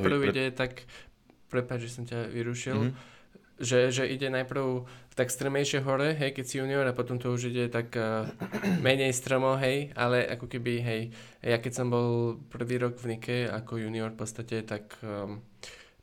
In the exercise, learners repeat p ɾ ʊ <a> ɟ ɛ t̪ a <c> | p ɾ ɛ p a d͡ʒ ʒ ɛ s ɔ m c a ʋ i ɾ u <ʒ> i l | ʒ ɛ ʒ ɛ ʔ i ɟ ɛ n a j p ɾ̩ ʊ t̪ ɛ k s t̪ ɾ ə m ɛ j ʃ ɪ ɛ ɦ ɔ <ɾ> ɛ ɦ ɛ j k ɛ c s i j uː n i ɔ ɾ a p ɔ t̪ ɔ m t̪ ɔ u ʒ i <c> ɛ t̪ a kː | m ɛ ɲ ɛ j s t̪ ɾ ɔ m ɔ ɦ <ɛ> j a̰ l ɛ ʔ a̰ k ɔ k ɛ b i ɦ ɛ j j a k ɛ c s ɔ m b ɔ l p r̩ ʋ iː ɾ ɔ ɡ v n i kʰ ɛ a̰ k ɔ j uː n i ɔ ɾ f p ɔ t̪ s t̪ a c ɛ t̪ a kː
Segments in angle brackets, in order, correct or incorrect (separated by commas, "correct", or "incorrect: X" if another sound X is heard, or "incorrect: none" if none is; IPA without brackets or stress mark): incorrect: i, incorrect: k, incorrect: ʃ, correct, incorrect: ɟ, correct